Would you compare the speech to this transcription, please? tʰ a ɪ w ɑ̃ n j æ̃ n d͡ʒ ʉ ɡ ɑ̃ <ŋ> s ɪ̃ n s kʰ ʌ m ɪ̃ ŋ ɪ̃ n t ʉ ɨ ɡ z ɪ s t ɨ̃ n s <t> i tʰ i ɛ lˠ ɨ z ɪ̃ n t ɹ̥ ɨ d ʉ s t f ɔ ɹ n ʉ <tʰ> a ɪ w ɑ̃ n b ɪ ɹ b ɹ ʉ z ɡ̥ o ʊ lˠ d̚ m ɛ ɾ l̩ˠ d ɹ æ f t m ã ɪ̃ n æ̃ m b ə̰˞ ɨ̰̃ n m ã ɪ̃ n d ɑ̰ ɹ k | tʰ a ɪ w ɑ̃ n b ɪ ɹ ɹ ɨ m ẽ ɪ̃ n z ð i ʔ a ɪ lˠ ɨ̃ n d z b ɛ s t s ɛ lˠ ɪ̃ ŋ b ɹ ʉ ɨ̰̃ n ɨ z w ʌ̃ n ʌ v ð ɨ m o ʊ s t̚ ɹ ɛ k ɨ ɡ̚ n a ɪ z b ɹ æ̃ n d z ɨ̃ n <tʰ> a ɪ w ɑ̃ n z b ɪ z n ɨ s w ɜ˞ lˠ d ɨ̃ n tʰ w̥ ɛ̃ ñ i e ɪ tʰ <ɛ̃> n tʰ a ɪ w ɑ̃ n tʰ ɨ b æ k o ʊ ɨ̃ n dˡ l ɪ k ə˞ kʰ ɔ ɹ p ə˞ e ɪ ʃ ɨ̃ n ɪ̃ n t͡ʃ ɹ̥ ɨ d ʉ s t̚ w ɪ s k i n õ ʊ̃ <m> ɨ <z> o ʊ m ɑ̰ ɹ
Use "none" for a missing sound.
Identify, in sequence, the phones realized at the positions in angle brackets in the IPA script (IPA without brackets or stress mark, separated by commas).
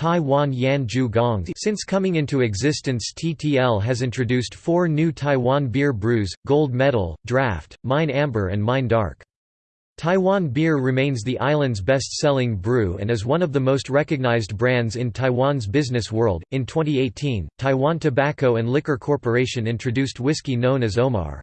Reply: ŋ, tʰ, tʰ, tʰ, ĩ, n, z